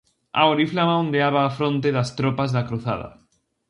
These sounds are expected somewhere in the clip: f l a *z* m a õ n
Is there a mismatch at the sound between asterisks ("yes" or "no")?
yes